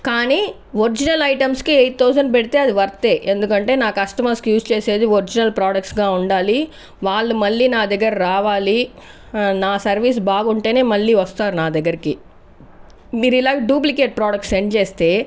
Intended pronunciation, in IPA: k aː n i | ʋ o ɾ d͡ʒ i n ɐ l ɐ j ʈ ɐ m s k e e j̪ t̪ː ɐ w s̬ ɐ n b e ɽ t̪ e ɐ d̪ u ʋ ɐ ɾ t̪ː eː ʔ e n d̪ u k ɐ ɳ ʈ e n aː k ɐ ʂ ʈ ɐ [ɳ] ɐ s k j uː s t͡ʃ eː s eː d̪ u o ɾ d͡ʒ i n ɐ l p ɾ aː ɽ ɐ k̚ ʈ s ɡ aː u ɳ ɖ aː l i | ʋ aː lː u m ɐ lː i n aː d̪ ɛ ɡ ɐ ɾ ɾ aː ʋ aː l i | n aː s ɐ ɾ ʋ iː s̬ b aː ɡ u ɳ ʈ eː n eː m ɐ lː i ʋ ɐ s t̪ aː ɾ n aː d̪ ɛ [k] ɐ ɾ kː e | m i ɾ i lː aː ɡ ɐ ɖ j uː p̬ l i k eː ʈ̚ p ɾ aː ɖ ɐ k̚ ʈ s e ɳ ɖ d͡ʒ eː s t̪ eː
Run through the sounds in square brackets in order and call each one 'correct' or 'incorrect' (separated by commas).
incorrect, incorrect